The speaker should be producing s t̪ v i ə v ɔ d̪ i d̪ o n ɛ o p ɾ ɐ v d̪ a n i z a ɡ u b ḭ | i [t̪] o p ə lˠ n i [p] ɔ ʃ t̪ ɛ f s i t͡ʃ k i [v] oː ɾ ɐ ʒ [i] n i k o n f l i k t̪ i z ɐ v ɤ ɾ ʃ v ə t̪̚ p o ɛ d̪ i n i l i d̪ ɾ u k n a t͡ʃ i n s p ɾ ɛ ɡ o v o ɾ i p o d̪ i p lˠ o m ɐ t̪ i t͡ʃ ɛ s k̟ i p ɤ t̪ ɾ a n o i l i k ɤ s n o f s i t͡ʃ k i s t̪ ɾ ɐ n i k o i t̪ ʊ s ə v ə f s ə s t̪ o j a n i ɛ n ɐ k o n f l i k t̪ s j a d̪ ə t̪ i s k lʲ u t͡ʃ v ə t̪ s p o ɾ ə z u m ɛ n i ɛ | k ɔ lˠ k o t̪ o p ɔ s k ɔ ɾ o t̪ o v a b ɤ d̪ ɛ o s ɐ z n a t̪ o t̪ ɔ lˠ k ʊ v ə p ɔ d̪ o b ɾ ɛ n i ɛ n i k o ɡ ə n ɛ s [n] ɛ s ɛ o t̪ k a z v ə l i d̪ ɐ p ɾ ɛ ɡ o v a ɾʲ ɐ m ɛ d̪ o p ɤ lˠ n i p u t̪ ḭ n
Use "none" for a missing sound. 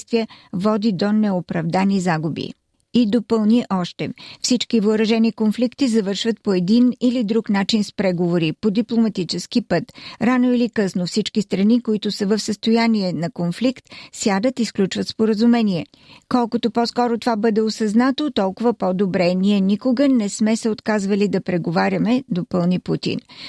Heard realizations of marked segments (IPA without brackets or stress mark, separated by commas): d̪, ʔ, v, ɛ, m